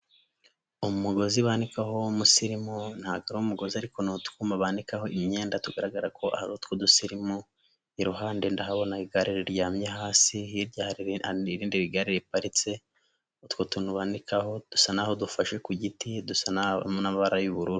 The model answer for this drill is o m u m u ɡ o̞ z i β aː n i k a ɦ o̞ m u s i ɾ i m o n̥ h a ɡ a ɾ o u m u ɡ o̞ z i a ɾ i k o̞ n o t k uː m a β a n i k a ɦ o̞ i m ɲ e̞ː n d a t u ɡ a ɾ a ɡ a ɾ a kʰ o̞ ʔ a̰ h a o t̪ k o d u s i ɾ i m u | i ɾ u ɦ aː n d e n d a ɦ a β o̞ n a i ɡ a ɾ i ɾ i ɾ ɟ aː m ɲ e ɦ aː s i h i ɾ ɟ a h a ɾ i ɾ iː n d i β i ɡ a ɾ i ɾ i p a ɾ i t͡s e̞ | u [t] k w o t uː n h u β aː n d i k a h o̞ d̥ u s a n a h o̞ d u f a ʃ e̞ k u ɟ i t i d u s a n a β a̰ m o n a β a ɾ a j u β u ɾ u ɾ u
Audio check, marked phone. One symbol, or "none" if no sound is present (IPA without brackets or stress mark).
t